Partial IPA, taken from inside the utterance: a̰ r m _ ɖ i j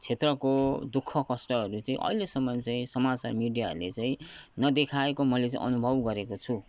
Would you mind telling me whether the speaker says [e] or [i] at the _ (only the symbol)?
i